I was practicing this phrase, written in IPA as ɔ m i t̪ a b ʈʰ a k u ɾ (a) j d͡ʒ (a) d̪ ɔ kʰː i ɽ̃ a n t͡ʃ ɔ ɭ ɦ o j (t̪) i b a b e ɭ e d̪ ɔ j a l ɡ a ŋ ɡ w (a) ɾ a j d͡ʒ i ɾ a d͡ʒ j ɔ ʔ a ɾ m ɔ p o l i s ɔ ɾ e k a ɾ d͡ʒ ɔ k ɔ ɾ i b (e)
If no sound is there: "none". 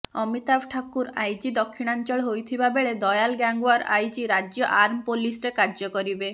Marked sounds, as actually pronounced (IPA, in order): a, i, t̪ʰ, a, e

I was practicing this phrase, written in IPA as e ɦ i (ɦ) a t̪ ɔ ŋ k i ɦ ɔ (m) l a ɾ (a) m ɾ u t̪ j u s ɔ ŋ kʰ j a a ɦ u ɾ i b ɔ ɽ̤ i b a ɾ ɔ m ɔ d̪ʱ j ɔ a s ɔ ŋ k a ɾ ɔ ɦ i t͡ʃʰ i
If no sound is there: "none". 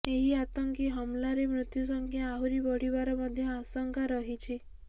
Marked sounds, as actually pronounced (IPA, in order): none, m, e

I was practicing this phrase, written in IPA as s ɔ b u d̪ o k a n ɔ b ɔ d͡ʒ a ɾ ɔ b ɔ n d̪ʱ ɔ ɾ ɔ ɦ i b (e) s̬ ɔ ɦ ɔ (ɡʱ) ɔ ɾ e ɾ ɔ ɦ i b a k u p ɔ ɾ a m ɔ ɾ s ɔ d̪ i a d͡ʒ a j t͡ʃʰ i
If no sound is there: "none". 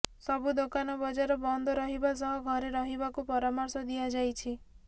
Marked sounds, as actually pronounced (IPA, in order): a, ɡʱ

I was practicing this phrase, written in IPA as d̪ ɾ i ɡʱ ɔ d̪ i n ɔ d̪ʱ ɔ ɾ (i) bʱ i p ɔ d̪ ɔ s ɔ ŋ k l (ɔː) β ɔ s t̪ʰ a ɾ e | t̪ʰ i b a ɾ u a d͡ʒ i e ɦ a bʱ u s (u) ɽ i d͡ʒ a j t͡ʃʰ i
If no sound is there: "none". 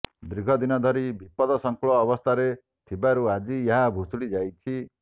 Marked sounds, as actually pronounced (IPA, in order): i, ɔː, u

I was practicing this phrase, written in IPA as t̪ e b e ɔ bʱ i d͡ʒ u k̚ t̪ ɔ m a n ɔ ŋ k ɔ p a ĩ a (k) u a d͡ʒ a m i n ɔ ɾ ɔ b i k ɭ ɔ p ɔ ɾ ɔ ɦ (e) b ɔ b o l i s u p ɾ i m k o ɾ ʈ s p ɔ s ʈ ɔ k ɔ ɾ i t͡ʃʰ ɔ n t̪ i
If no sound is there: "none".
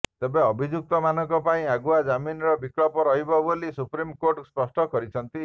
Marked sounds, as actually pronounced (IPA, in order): ɡ, i

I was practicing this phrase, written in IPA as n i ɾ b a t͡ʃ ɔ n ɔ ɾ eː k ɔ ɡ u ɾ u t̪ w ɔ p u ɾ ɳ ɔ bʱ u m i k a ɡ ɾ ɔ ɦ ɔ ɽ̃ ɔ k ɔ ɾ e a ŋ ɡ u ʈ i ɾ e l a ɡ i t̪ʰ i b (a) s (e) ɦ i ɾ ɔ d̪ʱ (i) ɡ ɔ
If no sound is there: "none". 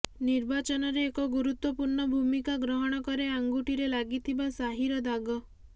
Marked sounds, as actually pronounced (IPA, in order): a, a, a

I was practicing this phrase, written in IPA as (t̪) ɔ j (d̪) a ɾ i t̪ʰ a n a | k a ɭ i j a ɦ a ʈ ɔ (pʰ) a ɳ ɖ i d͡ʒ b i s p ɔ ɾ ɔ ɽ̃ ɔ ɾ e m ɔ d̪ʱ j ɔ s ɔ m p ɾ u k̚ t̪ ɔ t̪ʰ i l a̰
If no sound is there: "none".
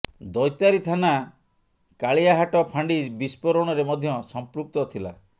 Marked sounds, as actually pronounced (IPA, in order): d̪, t̪, pʰ

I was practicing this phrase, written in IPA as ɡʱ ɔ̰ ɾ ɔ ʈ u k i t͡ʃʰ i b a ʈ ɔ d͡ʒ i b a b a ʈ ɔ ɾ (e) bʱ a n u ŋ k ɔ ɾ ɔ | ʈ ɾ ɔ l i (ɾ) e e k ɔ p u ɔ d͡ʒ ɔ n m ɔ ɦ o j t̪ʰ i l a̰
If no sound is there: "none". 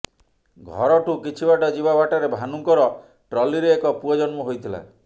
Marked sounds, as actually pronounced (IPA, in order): e, ɾ

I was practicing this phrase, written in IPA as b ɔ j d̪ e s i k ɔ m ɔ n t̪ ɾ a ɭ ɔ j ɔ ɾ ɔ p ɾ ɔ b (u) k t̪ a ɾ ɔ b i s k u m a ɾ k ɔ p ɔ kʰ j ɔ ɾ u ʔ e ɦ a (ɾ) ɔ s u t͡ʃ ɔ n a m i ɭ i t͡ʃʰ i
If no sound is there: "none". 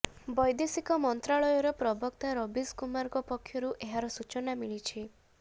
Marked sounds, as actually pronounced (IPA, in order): ɔ, ɾ

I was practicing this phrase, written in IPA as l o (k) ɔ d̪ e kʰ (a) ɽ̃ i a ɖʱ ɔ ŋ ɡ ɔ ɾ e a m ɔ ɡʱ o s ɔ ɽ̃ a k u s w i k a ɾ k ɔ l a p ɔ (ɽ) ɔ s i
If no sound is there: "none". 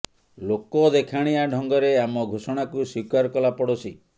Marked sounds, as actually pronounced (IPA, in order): k, a, ɽ

